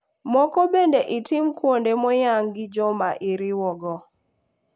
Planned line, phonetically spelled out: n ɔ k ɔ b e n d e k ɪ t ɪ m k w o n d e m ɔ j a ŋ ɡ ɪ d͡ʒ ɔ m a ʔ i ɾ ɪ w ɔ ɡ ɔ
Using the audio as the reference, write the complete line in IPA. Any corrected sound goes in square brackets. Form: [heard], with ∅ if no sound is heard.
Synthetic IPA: [m] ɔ k ɔ b e n d e [ʔ] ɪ t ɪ m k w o n d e m ɔ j a ŋ ɡ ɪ d͡ʒ ɔ m a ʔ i ɾ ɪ w ɔ ɡ ɔ